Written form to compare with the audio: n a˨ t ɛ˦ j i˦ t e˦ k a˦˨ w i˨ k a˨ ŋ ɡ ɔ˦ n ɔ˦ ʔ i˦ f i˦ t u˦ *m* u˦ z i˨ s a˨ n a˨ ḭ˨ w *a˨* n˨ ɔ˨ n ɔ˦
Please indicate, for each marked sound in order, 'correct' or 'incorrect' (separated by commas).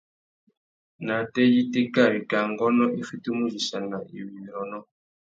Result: correct, incorrect